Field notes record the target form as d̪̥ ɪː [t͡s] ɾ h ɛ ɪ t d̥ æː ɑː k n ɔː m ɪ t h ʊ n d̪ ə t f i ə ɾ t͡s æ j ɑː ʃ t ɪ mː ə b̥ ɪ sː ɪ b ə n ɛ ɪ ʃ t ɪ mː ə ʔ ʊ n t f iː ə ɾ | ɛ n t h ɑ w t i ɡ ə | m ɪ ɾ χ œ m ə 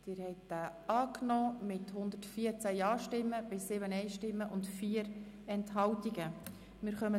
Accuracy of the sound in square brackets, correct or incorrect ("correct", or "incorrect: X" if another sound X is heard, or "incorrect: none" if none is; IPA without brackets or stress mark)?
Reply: incorrect: none